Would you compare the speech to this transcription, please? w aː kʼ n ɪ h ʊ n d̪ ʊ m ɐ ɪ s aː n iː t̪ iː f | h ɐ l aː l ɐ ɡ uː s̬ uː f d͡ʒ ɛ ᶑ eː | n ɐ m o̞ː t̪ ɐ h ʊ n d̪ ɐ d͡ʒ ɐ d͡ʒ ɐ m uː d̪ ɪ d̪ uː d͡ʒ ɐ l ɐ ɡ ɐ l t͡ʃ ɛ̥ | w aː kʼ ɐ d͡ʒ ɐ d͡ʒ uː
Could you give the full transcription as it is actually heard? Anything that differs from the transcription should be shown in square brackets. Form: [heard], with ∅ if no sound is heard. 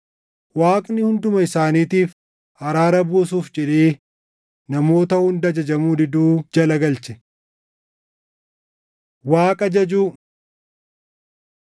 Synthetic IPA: w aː kʼ n ɪ h ʊ n d̪ ʊ m ɐ ɪ s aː n iː t̪ iː f | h ɐ [ɾ] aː [ɾ] ɐ [b] uː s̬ uː f d͡ʒ ɛ ᶑ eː | n ɐ m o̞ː t̪ ɐ h ʊ n d̪ ɐ d͡ʒ ɐ d͡ʒ ɐ m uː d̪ ɪ d̪ uː d͡ʒ ɐ l ɐ ɡ ɐ l t͡ʃ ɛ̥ | w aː kʼ ɐ d͡ʒ ɐ d͡ʒ uː